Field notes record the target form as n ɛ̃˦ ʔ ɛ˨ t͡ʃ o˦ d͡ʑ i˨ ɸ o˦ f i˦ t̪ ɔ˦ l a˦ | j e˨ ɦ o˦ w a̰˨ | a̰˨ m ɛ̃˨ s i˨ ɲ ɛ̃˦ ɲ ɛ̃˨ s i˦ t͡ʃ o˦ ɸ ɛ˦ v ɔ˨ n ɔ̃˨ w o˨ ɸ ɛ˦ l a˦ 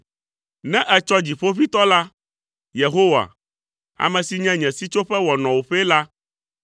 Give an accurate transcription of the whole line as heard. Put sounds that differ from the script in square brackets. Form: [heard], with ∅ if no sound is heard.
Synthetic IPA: n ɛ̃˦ ʔ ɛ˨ t͡ʃ [ɔ˦] d͡ʑ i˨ ɸ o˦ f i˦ t̪ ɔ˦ l a˦ | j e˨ ɦ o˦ w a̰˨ | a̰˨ m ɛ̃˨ s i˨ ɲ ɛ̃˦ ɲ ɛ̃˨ s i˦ t͡ʃ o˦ ɸ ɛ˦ [w] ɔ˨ n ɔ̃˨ w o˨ ɸ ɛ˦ l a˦